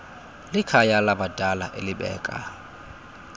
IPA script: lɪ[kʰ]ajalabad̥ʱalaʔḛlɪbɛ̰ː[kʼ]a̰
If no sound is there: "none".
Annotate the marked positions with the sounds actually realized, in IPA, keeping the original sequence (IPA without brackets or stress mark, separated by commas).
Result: kʰ, kʼ